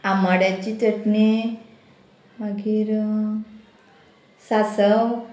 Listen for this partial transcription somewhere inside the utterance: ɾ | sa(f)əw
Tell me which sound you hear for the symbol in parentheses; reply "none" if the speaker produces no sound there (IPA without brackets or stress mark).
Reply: s